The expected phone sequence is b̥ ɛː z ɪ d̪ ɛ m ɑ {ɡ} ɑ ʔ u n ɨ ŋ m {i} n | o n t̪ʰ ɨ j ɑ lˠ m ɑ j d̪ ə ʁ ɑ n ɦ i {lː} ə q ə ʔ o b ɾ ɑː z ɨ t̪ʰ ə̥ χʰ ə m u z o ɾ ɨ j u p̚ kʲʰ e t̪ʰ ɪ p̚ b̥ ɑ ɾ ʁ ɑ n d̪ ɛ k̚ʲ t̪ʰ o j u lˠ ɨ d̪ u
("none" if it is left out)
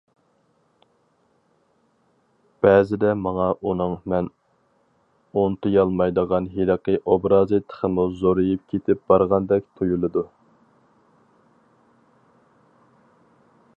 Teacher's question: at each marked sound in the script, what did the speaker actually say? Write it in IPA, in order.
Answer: ŋ, ɛ, l

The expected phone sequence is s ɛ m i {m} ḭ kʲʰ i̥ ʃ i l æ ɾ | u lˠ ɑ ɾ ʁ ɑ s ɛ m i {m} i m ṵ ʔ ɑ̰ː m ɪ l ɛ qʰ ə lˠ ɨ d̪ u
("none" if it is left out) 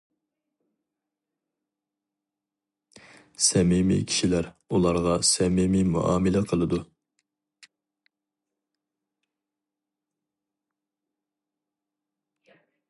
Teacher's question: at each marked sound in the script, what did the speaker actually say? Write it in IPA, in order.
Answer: m, m

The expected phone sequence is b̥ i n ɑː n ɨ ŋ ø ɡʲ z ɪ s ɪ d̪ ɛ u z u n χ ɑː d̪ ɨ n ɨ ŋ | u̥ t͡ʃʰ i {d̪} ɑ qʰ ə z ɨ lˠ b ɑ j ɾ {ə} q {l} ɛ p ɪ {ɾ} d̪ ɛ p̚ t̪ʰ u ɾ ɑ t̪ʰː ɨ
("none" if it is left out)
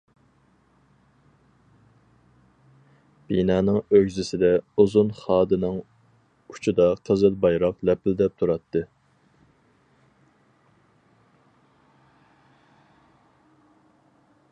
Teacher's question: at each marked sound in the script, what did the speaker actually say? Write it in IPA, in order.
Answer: d̪, ɑ, l, l

